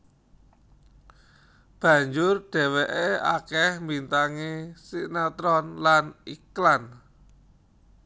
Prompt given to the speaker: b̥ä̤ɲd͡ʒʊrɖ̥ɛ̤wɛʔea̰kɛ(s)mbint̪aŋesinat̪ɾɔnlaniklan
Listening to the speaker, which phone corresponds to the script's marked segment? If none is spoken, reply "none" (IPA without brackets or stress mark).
h